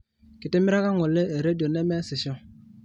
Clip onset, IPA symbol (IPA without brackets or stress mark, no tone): k